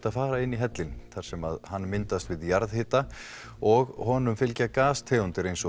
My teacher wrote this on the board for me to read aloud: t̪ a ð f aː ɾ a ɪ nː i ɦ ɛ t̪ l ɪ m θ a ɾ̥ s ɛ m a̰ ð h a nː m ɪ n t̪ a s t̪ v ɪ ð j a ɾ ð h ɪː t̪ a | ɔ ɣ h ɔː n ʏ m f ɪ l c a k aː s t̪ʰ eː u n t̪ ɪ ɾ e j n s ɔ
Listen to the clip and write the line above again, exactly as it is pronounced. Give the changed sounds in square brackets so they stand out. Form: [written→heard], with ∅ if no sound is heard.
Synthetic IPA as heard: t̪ a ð f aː ɾ a ɪ nː i ɦ ɛ t̪ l ɪ [m→n] θ a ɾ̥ s ɛ m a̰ ð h a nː m ɪ n t̪ a s t̪ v ɪ ð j a ɾ ð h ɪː t̪ a | ɔ ɣ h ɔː n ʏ m f ɪ l c a k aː s t̪ʰ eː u n t̪ ɪ ɾ e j n s ɔ